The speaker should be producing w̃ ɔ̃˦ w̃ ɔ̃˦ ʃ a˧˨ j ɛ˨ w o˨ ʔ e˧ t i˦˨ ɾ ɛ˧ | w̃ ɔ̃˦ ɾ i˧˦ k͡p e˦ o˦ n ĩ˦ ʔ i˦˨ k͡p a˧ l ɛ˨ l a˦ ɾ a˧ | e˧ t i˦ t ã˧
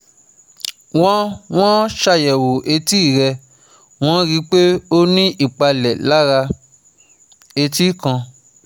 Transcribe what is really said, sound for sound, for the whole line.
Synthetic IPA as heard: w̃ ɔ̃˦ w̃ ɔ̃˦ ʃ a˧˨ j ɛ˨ w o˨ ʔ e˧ t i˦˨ ɾ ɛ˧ | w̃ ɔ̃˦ ɾ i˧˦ k͡p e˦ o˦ n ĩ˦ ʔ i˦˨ k͡p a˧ l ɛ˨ l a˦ ɾ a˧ | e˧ t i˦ k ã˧